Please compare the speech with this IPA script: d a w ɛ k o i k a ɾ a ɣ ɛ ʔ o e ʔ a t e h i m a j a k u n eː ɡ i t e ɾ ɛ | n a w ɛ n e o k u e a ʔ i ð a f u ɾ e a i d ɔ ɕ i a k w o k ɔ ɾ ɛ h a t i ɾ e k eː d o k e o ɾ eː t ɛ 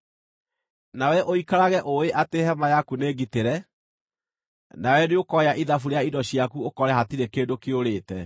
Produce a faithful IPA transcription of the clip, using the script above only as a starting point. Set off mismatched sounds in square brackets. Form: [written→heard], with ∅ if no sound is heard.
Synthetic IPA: [d→n] a w ɛ [k→ʔ] o i k a ɾ a ɣ ɛ ʔ o e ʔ a t e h [i→ɛ] m a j a k u n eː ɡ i t e ɾ ɛ | n a w ɛ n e o k [u→ɔ] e a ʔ i ð a f u ɾ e a i d ɔ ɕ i a k [w→u] o k ɔ ɾ ɛ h a t i ɾ e k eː d o k e o ɾ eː t ɛ